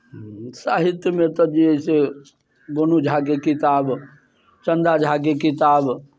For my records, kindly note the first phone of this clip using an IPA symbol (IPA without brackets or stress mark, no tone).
s